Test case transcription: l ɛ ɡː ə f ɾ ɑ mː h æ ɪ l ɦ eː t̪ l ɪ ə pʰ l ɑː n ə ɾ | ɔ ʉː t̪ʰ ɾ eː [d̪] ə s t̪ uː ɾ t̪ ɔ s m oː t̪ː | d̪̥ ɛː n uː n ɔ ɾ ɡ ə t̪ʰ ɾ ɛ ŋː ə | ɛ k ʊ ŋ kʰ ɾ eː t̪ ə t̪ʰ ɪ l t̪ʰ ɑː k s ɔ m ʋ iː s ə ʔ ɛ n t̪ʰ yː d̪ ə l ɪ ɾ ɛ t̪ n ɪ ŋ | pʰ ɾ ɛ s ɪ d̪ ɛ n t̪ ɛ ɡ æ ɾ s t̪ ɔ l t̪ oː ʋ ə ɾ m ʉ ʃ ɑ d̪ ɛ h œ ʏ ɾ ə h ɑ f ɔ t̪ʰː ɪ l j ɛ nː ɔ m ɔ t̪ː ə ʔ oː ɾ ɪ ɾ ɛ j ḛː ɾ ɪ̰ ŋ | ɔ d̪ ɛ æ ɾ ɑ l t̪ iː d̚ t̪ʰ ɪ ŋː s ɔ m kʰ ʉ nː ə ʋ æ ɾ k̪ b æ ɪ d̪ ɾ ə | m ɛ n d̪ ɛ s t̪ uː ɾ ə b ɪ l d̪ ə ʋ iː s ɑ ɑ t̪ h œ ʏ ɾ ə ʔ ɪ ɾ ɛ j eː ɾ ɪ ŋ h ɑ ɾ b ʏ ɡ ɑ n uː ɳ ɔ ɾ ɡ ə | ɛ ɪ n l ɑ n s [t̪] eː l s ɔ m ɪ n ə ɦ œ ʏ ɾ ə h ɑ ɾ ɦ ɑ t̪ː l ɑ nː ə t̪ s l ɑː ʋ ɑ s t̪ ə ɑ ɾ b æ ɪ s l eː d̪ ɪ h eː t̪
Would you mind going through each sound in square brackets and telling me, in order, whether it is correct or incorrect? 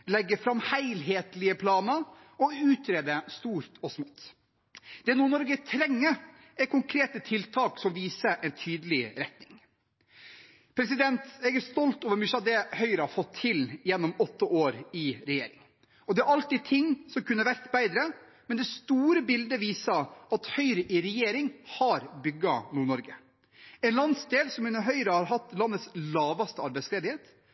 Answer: correct, incorrect: d̪

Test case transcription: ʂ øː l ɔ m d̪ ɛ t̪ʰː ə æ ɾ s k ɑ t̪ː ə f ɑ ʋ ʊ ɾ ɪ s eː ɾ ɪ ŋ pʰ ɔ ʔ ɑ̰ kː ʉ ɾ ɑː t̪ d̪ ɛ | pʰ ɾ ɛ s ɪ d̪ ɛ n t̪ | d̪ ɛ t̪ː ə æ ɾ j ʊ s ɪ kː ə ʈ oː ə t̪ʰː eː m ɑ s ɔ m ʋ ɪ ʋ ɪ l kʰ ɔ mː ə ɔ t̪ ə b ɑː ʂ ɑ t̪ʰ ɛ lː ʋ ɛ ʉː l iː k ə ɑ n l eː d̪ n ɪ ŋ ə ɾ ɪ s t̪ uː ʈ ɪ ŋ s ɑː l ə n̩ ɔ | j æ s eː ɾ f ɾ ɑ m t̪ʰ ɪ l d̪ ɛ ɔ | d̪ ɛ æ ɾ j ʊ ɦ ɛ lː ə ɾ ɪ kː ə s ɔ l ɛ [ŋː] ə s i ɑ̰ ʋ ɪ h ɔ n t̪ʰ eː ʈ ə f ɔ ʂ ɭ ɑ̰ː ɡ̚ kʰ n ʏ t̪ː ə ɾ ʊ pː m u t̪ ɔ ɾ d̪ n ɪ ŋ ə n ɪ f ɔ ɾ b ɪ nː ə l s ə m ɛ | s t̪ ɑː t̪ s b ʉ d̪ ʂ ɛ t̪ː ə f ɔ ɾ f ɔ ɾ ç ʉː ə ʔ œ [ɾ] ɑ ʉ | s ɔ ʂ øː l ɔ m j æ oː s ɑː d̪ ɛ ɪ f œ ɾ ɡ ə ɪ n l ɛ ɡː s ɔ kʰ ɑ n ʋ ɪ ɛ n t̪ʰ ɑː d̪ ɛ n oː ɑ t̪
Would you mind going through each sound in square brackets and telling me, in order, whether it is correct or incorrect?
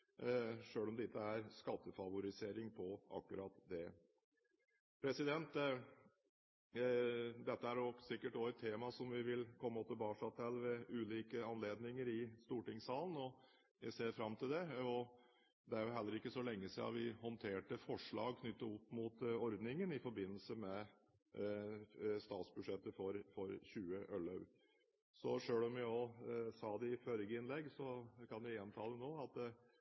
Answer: correct, incorrect: l

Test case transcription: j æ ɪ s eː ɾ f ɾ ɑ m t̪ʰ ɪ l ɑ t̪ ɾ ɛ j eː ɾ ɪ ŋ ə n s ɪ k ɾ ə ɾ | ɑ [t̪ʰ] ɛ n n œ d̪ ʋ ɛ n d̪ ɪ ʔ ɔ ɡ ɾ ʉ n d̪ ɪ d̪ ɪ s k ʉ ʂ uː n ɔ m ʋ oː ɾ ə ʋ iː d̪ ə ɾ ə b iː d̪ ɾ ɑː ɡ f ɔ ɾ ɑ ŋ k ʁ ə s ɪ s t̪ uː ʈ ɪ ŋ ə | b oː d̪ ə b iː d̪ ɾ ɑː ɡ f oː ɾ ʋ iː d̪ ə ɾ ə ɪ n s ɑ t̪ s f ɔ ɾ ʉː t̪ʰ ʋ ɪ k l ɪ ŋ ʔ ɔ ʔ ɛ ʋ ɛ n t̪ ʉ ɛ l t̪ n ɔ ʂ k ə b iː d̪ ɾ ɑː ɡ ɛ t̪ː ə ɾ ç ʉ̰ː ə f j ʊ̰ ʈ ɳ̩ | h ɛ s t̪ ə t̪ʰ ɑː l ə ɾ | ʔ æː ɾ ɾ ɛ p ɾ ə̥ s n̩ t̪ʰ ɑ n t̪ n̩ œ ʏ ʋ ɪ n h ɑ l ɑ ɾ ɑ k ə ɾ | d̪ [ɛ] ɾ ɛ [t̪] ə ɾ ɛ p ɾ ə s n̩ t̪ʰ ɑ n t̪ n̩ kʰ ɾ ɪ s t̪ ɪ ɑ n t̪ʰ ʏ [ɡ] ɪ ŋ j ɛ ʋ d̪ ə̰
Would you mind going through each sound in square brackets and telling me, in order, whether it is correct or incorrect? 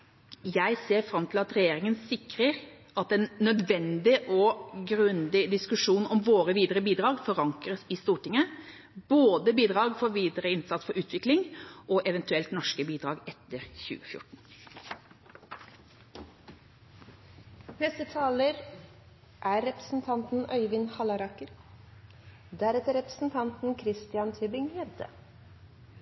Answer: incorrect: t̪, incorrect: æ, correct, incorrect: b

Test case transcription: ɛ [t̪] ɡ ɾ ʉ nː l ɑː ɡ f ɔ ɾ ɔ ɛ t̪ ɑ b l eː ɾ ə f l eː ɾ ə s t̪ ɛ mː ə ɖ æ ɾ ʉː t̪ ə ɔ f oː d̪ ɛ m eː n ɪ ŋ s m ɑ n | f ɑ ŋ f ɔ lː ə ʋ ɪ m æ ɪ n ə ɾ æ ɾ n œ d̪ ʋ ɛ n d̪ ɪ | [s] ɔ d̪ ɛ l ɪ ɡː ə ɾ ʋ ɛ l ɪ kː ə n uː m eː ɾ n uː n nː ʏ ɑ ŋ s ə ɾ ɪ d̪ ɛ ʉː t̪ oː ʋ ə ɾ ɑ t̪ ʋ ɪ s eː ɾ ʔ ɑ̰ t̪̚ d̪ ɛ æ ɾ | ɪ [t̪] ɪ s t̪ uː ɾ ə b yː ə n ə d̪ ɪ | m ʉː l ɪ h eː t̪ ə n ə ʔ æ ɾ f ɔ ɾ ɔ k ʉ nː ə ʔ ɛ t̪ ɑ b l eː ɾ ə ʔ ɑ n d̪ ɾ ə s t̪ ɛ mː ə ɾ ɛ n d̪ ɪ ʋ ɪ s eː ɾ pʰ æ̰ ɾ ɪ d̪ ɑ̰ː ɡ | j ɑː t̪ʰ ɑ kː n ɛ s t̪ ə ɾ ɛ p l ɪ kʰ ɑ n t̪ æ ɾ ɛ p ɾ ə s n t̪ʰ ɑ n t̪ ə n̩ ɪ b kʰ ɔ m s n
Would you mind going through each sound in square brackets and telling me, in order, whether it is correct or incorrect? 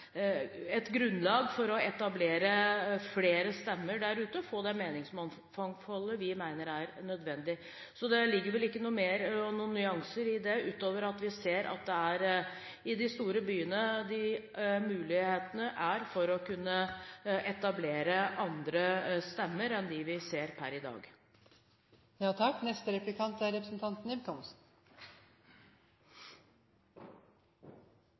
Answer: correct, correct, incorrect: d̪

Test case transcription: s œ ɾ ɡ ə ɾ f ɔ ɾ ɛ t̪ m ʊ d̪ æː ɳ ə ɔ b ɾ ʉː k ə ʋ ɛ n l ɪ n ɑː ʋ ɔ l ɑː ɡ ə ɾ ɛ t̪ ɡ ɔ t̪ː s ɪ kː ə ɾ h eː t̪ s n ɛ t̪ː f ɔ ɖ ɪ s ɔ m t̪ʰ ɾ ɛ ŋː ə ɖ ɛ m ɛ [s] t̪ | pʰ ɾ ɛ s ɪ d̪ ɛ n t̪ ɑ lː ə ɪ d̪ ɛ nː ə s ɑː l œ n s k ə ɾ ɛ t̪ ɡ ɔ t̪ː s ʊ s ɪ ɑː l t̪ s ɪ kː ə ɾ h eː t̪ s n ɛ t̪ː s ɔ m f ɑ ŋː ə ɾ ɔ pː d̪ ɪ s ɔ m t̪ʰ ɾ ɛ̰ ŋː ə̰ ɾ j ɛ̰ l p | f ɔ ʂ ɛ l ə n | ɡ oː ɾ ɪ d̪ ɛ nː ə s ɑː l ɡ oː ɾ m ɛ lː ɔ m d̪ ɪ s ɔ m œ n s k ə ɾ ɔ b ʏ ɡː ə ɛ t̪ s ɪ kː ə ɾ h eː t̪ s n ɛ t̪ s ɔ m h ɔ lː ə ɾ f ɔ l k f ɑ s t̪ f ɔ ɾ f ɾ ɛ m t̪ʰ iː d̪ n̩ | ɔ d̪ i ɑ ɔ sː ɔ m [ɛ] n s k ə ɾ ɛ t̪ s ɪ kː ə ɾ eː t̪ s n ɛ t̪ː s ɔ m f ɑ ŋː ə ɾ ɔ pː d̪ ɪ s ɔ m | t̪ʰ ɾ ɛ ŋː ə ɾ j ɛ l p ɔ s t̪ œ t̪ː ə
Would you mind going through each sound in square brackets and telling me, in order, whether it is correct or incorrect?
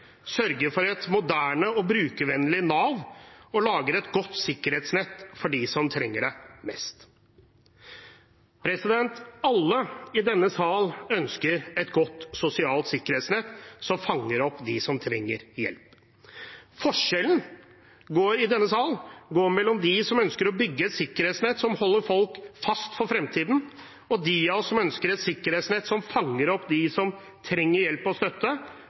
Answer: correct, incorrect: œ

